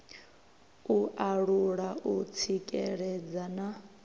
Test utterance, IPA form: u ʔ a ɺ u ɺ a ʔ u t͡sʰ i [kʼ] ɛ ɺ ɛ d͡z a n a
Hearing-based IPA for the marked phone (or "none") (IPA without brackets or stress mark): kʼ